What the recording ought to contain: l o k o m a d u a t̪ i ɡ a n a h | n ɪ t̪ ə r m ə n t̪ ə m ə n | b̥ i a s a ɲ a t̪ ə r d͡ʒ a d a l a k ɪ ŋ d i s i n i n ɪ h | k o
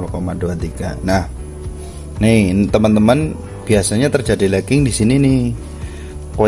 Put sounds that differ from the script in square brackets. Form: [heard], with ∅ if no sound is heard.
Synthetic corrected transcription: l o k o m a d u a t̪ i ɡ a n a h | n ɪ t̪ ə [∅] m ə n t̪ ə m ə n | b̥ i a s a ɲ a t̪ ə r d͡ʒ a d [i] l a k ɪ ŋ d i s i n i n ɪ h | k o